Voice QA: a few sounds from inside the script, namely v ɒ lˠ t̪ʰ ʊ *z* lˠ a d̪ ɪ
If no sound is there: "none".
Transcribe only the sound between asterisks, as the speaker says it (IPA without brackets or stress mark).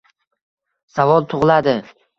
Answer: ʁ